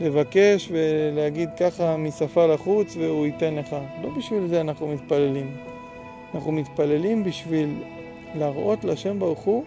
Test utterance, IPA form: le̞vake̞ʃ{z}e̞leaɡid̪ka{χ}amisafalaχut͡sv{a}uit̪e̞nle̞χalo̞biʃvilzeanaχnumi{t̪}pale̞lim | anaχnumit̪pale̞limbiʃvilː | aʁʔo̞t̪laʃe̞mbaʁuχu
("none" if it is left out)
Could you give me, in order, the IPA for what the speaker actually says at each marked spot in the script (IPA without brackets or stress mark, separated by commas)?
v, χ, e, t̪